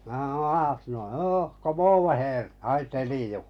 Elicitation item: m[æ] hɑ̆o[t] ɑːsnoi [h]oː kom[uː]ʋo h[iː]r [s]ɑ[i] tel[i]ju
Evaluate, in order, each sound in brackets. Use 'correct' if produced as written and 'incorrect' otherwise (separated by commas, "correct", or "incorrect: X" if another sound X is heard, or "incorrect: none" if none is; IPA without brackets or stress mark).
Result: correct, incorrect: none, correct, incorrect: oː, incorrect: eː, incorrect: h, correct, correct